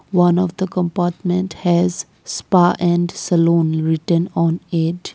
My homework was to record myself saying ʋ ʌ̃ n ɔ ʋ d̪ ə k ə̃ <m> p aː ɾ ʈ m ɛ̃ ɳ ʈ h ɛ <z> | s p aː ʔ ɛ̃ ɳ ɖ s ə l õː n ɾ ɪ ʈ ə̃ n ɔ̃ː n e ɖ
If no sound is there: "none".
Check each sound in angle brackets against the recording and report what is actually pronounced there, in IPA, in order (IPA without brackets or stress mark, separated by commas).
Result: m, z